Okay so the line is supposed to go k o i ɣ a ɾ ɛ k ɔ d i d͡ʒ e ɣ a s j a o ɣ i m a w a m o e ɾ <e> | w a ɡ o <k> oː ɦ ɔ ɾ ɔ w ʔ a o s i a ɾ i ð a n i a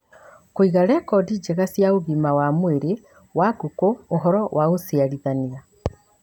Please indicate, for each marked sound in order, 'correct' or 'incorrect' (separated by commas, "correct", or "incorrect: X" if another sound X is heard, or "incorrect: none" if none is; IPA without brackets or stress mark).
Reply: correct, correct